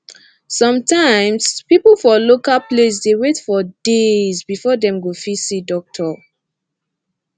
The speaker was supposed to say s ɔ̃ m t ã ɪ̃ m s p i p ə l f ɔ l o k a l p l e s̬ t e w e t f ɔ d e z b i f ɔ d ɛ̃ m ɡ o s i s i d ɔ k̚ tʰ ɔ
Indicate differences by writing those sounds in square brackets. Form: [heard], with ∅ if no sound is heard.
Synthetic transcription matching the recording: s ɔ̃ m t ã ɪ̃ m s p i p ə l f ɔ l o k a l p l e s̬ [d] e w e t f ɔ d e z b i f ɔ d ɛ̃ m ɡ o [f] i s i d ɔ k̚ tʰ ɔ